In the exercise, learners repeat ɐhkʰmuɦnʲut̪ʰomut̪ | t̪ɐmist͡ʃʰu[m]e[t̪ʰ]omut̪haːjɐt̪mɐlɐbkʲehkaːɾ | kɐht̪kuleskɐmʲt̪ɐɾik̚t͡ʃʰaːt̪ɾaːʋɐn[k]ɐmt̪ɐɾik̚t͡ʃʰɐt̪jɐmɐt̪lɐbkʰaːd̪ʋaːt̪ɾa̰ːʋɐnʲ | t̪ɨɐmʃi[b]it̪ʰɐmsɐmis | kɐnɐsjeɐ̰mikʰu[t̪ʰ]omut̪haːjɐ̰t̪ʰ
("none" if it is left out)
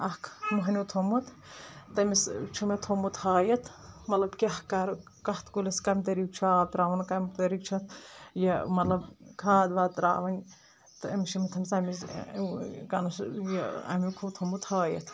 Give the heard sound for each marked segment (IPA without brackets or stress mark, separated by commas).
m, t̪ʰ, k, m, t̪ʰ